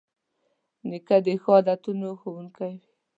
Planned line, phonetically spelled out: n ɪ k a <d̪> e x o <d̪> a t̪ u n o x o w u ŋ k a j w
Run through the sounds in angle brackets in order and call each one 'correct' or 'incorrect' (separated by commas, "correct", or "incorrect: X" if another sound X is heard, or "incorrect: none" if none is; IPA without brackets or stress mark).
correct, correct